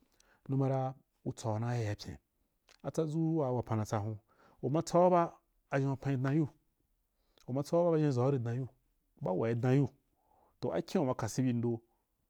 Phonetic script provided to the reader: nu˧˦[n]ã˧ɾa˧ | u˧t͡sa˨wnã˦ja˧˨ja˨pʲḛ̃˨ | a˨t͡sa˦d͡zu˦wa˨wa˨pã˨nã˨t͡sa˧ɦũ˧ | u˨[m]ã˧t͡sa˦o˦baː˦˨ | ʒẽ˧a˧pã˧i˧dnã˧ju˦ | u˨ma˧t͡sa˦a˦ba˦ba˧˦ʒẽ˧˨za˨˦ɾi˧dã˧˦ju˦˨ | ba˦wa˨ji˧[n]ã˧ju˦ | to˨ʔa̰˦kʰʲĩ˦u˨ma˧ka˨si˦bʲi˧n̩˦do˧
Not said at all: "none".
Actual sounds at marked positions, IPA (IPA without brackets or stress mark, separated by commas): m, m, d